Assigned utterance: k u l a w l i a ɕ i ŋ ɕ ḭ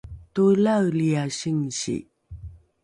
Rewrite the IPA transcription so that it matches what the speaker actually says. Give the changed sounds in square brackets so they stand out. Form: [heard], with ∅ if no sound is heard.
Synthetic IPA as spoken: [t] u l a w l i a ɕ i ŋ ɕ ḭ